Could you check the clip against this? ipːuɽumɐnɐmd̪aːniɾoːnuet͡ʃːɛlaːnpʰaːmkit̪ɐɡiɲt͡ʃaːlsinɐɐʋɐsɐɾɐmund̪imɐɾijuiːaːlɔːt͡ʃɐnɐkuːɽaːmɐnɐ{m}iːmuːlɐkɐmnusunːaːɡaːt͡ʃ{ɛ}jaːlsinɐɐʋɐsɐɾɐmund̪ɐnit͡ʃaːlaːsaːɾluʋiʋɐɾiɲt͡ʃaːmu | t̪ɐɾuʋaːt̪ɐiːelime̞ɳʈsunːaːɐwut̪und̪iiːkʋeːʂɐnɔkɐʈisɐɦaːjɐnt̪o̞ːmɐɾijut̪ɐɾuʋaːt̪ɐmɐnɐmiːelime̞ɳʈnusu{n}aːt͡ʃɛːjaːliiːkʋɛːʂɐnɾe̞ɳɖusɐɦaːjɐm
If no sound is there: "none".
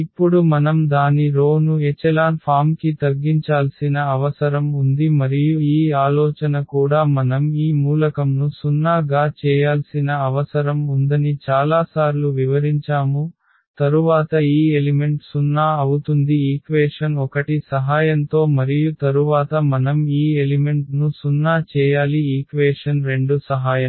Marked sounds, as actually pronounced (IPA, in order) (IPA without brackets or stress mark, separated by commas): m, ɛː, nː